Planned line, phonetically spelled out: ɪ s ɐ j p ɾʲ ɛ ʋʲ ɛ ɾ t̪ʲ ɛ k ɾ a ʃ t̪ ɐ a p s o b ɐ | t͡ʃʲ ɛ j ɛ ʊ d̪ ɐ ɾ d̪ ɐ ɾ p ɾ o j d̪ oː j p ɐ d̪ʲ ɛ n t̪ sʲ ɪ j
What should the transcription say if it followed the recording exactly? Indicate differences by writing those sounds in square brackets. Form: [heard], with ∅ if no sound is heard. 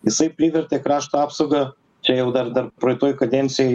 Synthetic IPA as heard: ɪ s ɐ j p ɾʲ [i] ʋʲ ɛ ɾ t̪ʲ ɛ k ɾ a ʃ t̪ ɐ a p s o [ɡ] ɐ | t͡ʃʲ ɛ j ɛ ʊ d̪ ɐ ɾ d̪ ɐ ɾ p ɾ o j [t̪] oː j [k] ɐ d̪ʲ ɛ n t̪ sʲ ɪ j